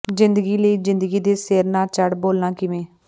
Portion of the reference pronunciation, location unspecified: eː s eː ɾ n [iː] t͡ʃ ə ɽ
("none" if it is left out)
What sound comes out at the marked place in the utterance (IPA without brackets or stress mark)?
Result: aː